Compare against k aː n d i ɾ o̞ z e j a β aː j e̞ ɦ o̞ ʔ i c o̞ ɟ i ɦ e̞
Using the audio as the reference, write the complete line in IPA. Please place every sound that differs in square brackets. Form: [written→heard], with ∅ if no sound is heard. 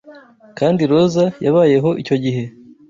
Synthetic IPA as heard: k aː n d i ɾ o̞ z [e→a] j a β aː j e̞ ɦ o̞ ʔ i c o̞ ɟ i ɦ e̞